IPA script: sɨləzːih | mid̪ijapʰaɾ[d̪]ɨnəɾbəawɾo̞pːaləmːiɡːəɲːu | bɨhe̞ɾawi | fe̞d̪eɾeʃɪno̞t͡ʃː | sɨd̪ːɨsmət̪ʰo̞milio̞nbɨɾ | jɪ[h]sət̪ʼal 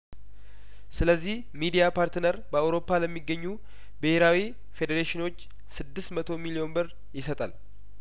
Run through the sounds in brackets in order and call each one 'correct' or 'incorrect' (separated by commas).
incorrect, incorrect